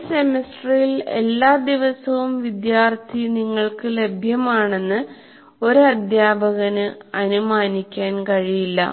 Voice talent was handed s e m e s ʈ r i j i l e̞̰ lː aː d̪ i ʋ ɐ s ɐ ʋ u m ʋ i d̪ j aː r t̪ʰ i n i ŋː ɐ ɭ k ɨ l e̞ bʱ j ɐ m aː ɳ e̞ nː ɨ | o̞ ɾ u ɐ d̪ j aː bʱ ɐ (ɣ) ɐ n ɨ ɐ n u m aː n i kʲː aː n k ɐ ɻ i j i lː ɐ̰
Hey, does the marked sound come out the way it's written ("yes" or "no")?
yes